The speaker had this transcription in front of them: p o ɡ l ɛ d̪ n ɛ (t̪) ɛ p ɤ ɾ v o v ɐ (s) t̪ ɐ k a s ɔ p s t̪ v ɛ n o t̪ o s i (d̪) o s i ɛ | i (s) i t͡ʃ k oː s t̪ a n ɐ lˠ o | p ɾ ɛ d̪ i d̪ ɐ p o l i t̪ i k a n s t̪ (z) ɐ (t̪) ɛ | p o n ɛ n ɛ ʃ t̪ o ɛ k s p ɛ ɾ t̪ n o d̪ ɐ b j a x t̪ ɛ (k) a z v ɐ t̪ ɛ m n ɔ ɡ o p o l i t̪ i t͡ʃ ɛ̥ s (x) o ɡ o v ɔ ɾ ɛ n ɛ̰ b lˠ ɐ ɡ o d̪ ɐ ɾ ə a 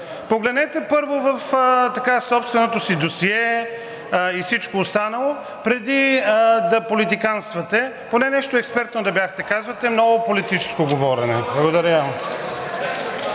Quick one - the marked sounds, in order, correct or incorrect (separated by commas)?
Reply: correct, incorrect, correct, correct, incorrect, correct, correct, incorrect